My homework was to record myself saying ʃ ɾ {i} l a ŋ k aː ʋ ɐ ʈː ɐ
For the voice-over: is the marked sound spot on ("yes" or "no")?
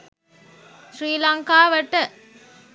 no